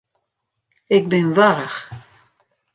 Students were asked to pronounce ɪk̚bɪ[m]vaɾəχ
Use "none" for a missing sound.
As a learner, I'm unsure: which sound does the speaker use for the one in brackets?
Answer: n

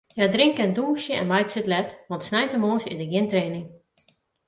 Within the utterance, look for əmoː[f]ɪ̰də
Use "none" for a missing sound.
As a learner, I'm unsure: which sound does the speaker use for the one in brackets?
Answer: s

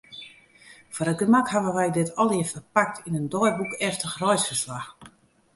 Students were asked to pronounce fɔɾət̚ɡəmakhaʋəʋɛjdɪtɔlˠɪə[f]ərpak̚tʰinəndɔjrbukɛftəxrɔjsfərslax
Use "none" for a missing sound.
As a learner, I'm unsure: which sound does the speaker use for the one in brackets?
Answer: f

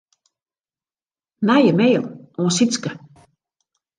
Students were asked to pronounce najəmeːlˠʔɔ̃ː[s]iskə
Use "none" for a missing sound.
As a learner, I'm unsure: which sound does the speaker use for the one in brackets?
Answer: s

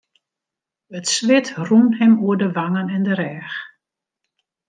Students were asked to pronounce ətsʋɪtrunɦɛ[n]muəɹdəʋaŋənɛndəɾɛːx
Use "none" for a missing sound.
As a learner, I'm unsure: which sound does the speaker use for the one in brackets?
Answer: none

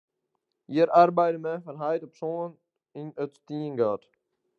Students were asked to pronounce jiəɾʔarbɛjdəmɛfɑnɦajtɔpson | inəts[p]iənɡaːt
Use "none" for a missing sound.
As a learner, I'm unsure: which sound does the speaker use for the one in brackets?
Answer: t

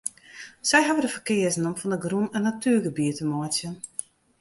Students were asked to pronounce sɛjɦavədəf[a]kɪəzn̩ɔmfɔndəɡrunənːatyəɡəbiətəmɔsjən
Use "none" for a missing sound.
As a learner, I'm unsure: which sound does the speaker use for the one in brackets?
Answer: ə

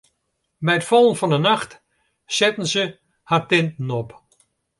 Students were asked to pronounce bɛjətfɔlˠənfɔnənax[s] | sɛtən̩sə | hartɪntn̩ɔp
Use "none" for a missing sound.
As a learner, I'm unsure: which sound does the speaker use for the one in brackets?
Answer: t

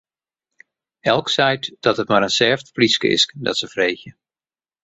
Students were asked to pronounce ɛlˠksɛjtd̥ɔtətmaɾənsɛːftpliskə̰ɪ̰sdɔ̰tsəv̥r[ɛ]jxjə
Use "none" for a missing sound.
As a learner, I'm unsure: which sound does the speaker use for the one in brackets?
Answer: e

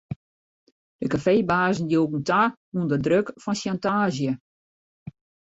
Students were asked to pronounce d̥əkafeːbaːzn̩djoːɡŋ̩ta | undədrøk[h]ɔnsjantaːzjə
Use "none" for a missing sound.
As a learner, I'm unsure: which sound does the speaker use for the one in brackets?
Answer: f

